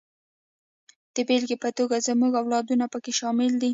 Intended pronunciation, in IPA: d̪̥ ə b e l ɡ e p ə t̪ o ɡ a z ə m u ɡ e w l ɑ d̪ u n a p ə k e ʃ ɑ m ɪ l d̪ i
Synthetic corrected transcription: d̪̥ ə b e l ɡ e p ə t̪ o ɡ a z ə m u ɡ a w l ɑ d̪ u n a p ə k e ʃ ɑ m ɪ l d̪ i